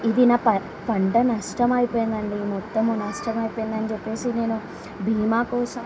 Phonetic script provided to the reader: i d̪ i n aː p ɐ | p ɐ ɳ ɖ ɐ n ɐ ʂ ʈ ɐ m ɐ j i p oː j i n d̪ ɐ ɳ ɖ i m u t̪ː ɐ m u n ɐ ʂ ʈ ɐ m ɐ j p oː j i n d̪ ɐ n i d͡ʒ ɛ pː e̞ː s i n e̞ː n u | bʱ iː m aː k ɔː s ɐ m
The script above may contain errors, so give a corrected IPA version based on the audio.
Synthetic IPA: i d̪ i n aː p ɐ | p ɐ ɳ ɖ ɐ n ɐ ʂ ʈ ɐ m ɐ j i p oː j i n d̪ ɐ ɳ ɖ i m ɔ t̪ː ɐ m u n ɐ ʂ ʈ ɐ m ɐ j p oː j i n d̪ ɐ n i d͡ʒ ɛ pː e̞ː s i n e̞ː n u | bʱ iː m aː k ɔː s ɐ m